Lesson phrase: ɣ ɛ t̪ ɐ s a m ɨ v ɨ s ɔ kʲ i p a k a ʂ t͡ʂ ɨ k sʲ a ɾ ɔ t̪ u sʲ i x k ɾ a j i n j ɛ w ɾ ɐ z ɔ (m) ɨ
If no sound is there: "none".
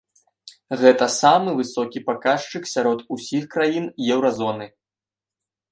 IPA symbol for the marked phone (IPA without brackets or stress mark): n